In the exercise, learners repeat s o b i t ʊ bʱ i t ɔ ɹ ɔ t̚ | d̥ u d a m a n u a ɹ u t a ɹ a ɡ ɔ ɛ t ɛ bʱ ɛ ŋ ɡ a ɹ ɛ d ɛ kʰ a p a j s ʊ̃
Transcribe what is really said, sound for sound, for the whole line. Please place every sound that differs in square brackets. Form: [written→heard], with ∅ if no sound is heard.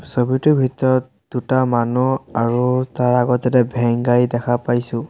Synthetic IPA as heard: s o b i t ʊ bʱ i t ɔ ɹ ɔ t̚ | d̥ u [d→t] a m a n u a ɹ u t a ɹ a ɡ ɔ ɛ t ɛ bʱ ɛ ŋ ɡ a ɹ [ɛ→i] d ɛ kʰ a p a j s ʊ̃

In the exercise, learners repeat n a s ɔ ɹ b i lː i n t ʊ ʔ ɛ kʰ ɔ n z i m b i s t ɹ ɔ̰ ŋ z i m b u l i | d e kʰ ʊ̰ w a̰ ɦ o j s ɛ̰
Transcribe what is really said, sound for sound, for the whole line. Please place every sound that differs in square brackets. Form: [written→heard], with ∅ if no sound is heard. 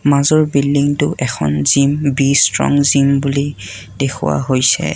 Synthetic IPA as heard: [n→m] a [s→z] ɔ ɹ b i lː i [n→ŋ] t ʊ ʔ ɛ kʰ ɔ n z i m b i s t ɹ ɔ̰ ŋ z i m b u l i | d e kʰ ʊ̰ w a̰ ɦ o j s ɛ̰

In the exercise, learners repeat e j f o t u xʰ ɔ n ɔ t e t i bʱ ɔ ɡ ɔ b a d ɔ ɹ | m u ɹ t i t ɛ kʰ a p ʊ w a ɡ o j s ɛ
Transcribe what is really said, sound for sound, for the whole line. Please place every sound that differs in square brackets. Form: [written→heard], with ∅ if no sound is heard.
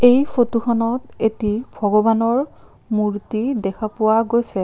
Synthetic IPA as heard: e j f o t u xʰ ɔ n ɔ t e t i bʱ ɔ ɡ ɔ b a [d→n] ɔ ɹ | m u ɹ t i [t→d] ɛ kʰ a p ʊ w a ɡ o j s ɛ

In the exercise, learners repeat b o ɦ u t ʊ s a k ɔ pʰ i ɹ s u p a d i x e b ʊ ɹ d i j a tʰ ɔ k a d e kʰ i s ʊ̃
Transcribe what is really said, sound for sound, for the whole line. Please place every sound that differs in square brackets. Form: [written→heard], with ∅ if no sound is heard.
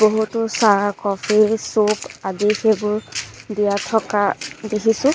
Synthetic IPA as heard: b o ɦ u t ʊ s a k ɔ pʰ i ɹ s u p a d i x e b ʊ ɹ d i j a tʰ ɔ k a d e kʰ i s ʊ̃

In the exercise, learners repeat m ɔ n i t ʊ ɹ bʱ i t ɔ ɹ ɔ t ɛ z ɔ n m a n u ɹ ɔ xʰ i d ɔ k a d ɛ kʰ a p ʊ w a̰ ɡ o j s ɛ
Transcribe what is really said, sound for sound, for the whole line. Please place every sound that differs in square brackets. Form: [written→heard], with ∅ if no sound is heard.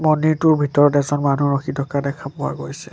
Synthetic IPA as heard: m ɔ n i t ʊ ɹ bʱ i t ɔ ɹ ɔ t ɛ z ɔ n m a n u ɹ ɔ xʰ i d ɔ k a d ɛ kʰ a p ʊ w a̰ ɡ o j s ɛ

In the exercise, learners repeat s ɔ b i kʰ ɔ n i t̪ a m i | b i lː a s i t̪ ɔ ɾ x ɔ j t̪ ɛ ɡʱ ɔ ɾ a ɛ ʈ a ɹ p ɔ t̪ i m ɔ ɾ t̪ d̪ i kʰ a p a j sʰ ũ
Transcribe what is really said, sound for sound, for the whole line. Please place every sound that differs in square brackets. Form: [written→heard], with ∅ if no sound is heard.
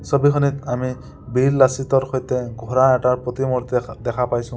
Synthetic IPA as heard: s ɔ b i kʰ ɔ n i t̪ a m i | b i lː a s i t̪ ɔ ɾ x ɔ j t̪ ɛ ɡʱ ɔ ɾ a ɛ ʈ a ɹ p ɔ t̪ i m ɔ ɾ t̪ d̪ [i→ɛ] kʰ a p a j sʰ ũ

